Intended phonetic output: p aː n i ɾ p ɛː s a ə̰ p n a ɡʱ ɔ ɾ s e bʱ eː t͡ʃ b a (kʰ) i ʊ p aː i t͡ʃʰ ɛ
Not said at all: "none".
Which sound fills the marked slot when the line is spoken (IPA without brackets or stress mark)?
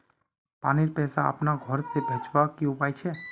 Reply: k